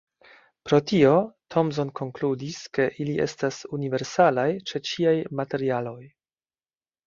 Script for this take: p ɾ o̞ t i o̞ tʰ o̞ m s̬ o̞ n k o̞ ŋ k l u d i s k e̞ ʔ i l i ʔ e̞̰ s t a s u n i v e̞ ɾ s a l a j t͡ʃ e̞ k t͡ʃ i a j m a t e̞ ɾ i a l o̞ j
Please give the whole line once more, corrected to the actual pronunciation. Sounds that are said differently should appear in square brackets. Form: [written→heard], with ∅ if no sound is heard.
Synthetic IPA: p ɾ o̞ t i o̞ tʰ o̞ m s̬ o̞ n k o̞ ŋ k l u d i s k e̞ ʔ i l i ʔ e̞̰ s t a s u n i v e̞ ɾ s a l a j t͡ʃ e̞ [k→∅] t͡ʃ i a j m a t e̞ ɾ i a l o̞ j